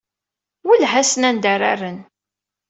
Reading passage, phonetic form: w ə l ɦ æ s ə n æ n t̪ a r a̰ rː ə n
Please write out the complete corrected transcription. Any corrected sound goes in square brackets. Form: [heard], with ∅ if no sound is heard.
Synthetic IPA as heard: w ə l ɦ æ s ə n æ n [d̪] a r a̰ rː ə n